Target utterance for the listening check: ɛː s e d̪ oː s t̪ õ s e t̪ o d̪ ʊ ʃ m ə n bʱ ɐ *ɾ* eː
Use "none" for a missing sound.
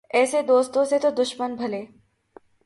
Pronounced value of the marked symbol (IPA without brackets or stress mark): l